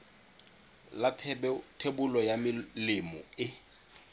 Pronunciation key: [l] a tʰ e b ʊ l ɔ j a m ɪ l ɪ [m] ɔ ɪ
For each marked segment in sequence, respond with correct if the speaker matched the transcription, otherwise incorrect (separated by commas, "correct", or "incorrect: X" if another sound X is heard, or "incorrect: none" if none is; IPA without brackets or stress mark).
correct, correct